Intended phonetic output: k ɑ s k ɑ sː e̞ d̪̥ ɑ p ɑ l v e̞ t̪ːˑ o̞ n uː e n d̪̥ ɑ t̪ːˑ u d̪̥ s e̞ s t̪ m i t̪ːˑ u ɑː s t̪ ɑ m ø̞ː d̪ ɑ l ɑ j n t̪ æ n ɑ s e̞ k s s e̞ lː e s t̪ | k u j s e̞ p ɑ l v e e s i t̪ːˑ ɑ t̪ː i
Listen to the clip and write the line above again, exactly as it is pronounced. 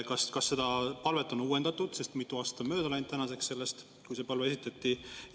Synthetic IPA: k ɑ s k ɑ sː e̞ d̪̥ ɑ p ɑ l v e̞ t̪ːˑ o̞ n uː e n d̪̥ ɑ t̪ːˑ u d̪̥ s e̞ s t̪ m i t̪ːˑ u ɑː s t̪ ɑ m ø̞ː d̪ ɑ l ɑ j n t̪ æ n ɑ s e̞ k s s e̞ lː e s t̪ | k u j s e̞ p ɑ l v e e s i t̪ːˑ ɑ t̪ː i